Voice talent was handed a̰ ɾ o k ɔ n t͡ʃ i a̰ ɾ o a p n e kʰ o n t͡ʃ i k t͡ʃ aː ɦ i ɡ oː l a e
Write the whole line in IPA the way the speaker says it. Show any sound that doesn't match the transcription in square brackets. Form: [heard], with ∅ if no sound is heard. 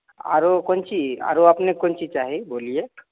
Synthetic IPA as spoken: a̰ ɾ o k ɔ n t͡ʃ i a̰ ɾ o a p n e [k] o n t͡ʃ i [∅] t͡ʃ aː ɦ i [b] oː l [i] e